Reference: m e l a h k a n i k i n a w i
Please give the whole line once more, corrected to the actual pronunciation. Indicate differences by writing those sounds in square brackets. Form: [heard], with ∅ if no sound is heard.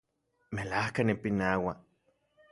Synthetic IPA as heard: m e l a h k a n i [p] i n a w [a]

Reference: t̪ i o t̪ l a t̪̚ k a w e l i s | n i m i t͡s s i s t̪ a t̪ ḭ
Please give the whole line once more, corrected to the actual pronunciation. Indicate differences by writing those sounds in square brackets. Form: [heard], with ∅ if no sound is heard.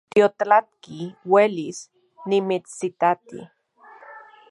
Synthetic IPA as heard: t̪ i o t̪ l a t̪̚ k [i] w e l i s | n i m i t͡s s i [∅] t̪ a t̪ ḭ

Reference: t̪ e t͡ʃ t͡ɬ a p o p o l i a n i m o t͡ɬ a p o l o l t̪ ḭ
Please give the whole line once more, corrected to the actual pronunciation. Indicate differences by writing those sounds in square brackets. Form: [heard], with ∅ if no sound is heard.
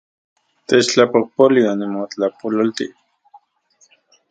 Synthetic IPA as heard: t̪ e t͡ʃ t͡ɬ a p o p o l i a n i m o t͡ɬ a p o l o l t̪ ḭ

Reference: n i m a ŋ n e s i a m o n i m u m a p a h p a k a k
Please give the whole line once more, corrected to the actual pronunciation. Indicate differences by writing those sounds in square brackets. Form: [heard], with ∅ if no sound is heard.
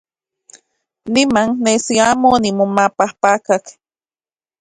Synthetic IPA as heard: n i m a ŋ n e s i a m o n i m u m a p a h p a k a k

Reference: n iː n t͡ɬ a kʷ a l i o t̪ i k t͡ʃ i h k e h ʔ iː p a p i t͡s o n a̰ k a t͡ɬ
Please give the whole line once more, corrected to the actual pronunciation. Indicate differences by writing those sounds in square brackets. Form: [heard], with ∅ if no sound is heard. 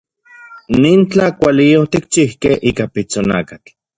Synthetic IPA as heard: n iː n t͡ɬ a kʷ a l i o t̪ i k t͡ʃ i h k e h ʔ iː [k] a p i t͡s o n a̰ k a t͡ɬ

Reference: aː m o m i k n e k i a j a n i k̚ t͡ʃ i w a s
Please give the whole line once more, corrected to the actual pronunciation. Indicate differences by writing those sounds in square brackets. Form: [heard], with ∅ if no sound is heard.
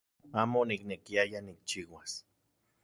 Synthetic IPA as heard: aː m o [n] i k n e k i a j a n i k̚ t͡ʃ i w a s

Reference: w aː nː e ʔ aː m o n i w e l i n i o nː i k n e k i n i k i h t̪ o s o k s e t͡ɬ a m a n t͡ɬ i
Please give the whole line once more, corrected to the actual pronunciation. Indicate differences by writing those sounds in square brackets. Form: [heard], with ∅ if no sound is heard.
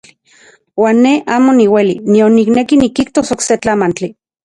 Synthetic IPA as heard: w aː nː e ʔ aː m o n i w e l i n i o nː i k n e k i n i k i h t̪ o s o k s e t͡ɬ a m a n t͡ɬ i

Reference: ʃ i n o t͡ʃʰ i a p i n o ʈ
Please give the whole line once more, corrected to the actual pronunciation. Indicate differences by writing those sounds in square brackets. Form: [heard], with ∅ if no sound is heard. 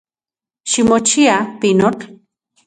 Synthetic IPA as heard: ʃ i [m] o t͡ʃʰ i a p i n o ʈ

